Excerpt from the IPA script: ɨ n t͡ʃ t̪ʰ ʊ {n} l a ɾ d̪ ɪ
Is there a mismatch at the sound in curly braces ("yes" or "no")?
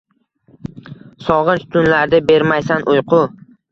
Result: no